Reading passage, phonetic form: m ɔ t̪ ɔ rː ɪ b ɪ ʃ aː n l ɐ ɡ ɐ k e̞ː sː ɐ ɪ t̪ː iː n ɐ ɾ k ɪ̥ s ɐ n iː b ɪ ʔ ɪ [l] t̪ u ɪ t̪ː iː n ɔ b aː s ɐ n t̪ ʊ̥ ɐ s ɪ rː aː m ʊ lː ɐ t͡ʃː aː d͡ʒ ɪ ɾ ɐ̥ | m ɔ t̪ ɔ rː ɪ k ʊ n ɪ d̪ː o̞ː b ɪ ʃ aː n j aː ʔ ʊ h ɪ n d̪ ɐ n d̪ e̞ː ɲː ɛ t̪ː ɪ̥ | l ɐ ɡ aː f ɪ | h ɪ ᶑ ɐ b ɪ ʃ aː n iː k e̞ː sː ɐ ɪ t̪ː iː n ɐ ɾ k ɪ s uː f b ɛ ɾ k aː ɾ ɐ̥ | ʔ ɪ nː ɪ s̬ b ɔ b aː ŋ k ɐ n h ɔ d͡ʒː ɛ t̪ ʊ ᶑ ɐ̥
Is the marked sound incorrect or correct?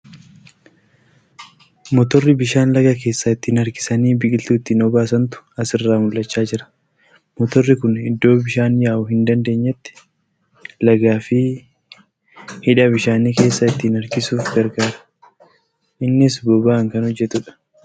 correct